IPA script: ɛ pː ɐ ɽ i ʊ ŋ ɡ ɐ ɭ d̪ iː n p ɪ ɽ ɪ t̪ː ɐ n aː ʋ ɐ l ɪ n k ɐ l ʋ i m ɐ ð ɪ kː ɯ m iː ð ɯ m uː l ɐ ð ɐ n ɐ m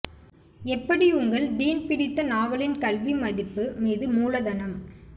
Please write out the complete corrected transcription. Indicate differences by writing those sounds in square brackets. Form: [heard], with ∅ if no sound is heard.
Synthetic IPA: ɛ pː ɐ ɽ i ʊ ŋ ɡ ɐ ɭ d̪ iː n p ɪ ɽ ɪ t̪ː ɐ n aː ʋ ɐ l ɪ n k ɐ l ʋ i m ɐ ð ɪ [pː] ɯ m iː ð ɯ m uː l ɐ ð ɐ n ɐ m